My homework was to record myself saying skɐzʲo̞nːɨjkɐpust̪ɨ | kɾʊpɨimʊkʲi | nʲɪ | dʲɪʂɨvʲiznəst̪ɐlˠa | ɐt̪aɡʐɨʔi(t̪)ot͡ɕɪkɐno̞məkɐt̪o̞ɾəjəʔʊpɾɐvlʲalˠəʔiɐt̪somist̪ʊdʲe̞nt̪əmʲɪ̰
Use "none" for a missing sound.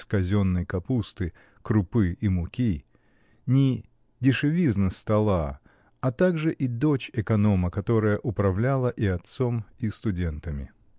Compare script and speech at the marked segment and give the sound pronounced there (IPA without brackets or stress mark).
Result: d̪